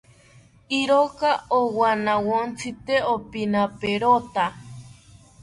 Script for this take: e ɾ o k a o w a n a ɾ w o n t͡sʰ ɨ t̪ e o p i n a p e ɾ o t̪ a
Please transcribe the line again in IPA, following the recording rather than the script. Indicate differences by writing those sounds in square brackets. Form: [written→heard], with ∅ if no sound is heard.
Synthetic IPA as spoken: [e→i] ɾ o k a o w a n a [ɾ→∅] w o n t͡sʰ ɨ t̪ e o p i n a p e ɾ o t̪ a